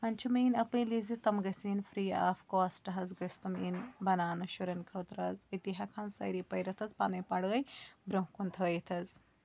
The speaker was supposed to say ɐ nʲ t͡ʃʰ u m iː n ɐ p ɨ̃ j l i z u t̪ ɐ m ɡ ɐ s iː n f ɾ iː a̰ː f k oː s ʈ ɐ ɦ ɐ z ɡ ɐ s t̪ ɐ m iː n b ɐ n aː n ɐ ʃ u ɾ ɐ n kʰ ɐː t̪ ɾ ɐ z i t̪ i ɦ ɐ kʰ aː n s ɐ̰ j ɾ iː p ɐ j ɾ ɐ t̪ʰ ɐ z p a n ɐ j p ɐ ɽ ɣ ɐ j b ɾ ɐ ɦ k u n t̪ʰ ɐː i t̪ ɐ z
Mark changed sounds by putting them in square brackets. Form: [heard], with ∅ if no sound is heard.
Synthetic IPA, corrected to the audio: ɐ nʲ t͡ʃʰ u m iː n ɐ p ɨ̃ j l i z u t̪ ɐ m ɡ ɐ s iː n f ɾ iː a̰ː f k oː s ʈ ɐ ɦ ɐ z ɡ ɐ s t̪ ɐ m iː n b ɐ n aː n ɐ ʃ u ɾ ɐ n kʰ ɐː t̪ ɾ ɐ z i t̪ i ɦ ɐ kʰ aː n s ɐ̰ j ɾ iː p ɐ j ɾ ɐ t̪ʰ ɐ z p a n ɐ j p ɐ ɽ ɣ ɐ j b ɾ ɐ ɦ k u n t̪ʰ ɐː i [t̪ʰ] ɐ z